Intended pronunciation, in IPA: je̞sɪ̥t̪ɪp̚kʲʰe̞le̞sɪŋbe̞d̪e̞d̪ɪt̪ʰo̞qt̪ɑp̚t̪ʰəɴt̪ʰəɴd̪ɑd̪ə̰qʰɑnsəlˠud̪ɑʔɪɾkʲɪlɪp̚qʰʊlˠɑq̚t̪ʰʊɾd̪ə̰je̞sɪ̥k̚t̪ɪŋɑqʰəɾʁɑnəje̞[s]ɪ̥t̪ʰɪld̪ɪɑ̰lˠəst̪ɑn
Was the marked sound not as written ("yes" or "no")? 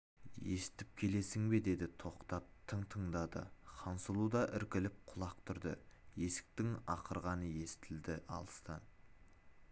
no